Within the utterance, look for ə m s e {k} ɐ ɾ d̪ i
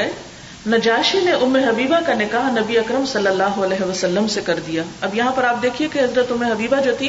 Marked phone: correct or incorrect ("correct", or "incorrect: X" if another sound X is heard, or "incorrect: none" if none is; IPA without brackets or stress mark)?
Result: correct